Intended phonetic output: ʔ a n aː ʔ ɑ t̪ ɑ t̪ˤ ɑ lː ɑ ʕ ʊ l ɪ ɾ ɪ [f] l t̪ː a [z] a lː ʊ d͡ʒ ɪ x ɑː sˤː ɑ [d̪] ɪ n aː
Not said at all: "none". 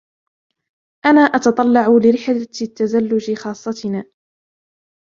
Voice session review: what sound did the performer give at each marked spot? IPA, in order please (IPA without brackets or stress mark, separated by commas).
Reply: ħ, z, t̪